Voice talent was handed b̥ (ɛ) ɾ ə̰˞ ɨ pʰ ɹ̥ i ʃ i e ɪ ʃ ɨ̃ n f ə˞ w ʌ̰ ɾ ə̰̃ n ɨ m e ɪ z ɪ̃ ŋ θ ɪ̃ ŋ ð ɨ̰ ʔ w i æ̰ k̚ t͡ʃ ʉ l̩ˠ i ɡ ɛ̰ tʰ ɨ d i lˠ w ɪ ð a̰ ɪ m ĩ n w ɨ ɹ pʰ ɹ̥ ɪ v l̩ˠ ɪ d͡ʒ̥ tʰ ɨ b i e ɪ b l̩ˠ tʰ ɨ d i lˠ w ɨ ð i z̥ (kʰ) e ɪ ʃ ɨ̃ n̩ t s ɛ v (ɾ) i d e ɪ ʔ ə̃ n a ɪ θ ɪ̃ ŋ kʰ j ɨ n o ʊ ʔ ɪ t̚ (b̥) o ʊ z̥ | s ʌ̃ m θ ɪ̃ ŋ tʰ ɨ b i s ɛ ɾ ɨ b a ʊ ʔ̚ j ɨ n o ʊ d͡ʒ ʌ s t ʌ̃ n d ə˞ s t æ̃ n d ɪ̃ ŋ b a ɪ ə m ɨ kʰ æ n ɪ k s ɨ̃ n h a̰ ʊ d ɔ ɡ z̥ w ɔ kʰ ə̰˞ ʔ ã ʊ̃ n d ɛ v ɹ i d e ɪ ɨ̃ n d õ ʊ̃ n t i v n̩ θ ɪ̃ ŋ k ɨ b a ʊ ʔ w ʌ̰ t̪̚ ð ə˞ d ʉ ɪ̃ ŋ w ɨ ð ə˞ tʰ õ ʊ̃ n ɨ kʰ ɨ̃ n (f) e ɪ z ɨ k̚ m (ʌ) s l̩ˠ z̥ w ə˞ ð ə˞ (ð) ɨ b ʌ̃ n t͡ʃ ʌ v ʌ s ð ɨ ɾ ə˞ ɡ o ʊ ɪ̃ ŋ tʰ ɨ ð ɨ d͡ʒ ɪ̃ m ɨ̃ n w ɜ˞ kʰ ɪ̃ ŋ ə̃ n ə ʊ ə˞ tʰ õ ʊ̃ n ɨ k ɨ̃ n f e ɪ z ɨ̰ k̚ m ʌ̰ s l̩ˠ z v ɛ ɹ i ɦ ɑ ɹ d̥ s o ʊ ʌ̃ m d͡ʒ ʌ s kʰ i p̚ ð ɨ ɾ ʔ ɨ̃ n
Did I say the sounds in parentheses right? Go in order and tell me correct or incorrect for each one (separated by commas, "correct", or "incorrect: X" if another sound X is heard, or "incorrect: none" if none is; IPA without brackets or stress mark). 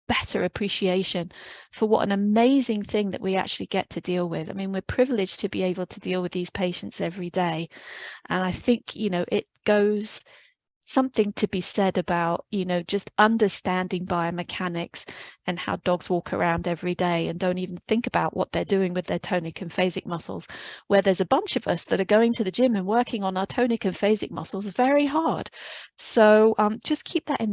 correct, incorrect: pʰ, incorrect: ɹ, incorrect: ɡ̥, correct, correct, incorrect: z